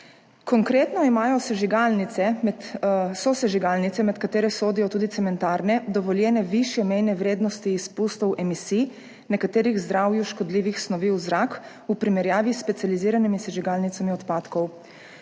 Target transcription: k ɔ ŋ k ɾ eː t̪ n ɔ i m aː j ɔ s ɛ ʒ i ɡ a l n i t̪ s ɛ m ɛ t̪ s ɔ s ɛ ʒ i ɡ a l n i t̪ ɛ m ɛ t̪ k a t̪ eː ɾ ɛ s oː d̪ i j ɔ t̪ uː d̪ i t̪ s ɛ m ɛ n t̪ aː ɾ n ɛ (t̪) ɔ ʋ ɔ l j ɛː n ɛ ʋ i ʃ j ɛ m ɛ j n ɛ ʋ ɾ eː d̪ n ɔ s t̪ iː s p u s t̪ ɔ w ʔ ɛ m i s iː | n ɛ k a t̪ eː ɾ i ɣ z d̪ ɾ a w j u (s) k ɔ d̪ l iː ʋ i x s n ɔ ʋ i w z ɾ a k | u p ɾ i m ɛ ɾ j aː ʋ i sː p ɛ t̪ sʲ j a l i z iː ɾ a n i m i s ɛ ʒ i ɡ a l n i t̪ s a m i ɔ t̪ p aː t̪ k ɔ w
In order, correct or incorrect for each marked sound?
incorrect: d̪, incorrect: ʃ

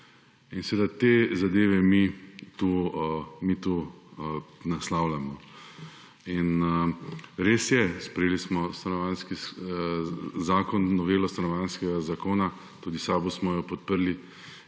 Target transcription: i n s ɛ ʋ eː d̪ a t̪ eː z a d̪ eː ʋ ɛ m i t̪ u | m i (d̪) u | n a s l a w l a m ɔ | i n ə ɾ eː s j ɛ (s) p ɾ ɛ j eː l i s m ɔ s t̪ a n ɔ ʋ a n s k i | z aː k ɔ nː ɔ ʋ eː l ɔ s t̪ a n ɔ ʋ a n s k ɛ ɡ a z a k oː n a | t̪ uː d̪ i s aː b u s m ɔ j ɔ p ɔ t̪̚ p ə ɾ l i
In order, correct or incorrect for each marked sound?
incorrect: t̪, correct

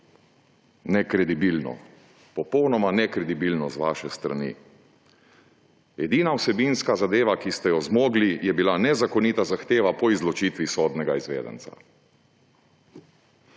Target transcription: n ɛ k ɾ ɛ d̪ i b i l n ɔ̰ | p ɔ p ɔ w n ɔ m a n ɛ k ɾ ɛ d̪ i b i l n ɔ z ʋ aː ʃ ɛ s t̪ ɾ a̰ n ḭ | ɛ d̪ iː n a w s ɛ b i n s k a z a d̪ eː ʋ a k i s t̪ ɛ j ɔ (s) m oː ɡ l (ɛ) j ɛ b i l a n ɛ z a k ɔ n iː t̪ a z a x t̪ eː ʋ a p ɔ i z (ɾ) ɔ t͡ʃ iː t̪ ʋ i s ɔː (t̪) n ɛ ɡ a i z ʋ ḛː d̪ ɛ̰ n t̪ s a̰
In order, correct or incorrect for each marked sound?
incorrect: z, incorrect: i, incorrect: l, incorrect: d̪

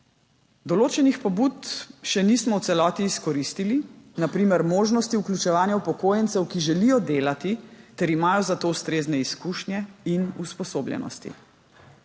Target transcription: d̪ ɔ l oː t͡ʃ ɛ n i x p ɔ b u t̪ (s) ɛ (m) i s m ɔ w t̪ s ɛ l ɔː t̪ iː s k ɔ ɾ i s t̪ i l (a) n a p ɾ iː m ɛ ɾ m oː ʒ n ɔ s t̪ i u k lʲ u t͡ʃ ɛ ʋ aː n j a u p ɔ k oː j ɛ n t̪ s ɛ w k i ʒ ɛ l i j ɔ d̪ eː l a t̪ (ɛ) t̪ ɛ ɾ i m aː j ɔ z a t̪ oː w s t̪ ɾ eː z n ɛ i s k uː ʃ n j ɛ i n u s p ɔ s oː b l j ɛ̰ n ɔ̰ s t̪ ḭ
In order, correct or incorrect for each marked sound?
incorrect: ʃ, incorrect: n, incorrect: i, incorrect: i

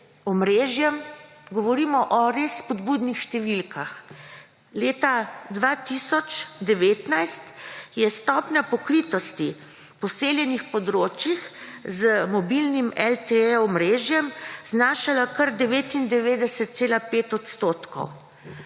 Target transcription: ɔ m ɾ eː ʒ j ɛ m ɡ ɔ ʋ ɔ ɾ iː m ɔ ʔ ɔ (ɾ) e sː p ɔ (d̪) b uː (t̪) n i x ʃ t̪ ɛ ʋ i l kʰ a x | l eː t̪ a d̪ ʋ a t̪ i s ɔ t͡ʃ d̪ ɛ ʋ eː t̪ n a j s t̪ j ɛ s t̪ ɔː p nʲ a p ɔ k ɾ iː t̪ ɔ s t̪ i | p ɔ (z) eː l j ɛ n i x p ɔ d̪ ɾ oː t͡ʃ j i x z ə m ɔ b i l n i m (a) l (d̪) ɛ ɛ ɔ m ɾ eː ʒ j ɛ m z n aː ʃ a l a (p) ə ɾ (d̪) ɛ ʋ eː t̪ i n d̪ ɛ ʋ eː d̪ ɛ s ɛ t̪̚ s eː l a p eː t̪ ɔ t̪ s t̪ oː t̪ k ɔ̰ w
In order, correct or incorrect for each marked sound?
correct, correct, incorrect: d̪, incorrect: s, incorrect: ɛ, incorrect: t̪, incorrect: k, correct

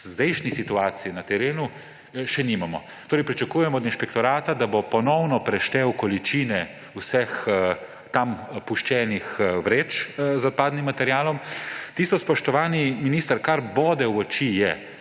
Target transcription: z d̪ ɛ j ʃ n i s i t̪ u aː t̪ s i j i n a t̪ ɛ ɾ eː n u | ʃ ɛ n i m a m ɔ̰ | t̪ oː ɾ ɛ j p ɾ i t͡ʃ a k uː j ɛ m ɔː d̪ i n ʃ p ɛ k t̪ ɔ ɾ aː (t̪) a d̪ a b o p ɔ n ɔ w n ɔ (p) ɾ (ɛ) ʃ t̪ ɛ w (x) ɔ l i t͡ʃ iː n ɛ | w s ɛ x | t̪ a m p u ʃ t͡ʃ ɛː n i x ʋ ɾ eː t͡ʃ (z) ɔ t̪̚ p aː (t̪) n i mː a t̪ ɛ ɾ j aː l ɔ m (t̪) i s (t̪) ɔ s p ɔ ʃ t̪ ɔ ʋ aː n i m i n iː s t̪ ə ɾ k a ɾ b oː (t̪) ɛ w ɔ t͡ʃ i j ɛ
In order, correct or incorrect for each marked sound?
correct, correct, correct, incorrect: k, correct, incorrect: d̪, correct, correct, incorrect: d̪

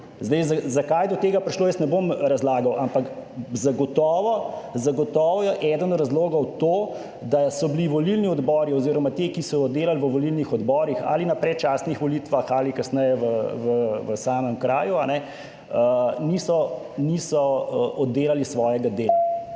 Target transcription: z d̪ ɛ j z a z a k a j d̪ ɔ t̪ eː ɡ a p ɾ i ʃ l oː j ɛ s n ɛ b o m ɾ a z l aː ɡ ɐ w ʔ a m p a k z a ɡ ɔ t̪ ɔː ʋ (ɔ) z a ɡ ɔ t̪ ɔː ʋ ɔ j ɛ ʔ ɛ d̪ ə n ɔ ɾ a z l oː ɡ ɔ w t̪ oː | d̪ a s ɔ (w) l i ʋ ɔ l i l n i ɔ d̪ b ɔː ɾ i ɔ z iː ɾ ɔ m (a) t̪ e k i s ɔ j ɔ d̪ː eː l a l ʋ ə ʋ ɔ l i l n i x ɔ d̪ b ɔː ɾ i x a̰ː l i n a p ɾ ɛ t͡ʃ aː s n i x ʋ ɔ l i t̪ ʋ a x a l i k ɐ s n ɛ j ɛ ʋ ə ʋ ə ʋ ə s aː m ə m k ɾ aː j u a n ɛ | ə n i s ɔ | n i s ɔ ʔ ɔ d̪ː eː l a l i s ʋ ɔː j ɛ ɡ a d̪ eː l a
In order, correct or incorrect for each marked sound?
correct, incorrect: b, correct

